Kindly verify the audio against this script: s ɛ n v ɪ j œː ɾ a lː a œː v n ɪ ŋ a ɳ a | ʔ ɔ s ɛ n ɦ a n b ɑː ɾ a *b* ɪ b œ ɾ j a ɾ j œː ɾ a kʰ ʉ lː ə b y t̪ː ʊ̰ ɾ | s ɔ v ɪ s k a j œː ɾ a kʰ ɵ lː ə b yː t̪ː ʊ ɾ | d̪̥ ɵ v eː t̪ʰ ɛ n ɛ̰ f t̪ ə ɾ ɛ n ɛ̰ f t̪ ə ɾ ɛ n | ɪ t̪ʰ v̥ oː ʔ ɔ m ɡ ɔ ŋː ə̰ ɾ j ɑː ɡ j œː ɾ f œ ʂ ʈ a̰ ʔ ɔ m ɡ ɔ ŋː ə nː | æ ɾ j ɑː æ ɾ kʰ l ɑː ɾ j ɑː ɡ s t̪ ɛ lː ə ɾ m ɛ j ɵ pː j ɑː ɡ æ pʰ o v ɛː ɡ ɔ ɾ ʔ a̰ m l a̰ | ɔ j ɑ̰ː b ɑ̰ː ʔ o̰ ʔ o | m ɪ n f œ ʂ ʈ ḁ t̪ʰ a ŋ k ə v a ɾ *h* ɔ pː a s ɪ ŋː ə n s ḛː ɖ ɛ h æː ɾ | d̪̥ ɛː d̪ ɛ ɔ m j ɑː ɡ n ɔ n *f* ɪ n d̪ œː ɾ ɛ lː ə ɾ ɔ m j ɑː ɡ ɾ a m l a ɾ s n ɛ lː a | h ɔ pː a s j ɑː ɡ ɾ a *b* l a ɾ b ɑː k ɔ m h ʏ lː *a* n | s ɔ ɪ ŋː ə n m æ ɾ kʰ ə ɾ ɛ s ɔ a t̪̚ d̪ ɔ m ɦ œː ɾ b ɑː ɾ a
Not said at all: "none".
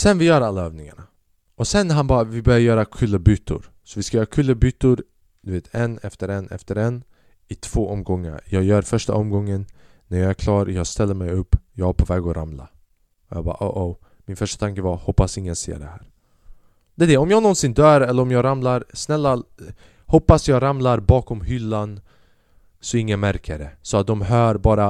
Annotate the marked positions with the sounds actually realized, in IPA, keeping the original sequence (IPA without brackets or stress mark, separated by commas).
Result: v, h, s, m, a